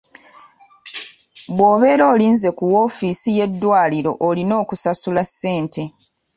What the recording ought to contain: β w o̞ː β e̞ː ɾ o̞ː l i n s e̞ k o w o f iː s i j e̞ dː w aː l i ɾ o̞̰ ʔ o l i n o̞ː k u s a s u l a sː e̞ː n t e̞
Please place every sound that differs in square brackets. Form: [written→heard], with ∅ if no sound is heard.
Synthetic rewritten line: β w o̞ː β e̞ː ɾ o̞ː l [i→iː] n [s→z] e̞ k [o→u] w o f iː s i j e̞ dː w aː l i ɾ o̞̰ ʔ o l i n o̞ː k u s a s u l a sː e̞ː n t e̞